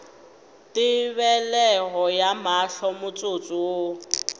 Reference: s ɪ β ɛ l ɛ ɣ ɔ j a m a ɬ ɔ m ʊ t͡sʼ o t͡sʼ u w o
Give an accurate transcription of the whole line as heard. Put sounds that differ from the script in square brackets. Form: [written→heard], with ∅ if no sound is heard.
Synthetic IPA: [s→t] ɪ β ɛ l ɛ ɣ ɔ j a m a ɬ ɔ m ʊ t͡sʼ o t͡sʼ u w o